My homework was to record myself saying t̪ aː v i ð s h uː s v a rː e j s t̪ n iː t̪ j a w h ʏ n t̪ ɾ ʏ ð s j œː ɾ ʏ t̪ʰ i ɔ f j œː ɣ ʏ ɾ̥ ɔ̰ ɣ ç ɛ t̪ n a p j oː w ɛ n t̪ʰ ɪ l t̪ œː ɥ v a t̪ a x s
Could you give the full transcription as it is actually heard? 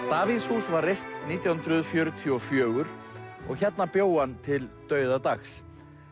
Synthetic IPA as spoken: t̪ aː v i ð s h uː s v a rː e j s t̪ n iː t̪ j a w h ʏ n t̪ ɾ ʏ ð f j œː ɾ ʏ t̪ʰ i ɔ f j œː ɣ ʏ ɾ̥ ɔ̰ ɣ ç ɛ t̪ n a p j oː w a n t̪ʰ ɪ l t̪ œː ɥ ð a t̪ a x s